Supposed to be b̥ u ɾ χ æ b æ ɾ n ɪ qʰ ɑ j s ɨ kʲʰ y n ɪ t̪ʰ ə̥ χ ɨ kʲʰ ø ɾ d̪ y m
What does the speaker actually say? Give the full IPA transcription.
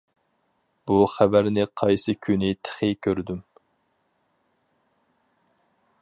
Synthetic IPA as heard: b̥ u χ æ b æ ɾ n ɪ qʰ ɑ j s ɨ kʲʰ y n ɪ t̪ʰ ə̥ χ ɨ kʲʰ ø ɾ d̪ y m